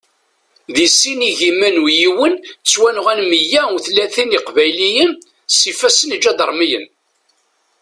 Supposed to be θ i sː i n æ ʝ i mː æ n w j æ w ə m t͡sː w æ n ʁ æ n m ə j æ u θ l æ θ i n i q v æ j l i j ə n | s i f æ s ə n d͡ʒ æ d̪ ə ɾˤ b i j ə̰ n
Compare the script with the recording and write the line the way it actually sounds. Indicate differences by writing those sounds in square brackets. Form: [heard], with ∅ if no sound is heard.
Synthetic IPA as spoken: [ð] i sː i n [i] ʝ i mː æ n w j [i] w ə [n] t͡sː w æ n ʁ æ n m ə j æ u θ l æ θ i n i q v æ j l i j ə n | s i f æ s ə n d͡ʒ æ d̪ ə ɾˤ [m] i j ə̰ n